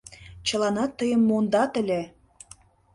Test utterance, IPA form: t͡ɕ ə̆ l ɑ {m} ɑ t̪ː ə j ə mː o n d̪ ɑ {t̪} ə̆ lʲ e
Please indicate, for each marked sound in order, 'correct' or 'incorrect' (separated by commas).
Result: incorrect, correct